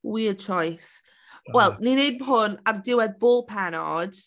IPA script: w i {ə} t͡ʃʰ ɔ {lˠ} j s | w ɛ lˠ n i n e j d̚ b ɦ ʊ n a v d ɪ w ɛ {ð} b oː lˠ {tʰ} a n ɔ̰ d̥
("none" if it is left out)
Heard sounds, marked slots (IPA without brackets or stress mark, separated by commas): ə, none, ð, pʰ